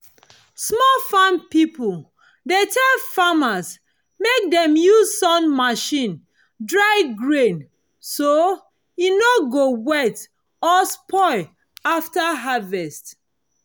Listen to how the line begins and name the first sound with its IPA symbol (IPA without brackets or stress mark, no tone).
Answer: s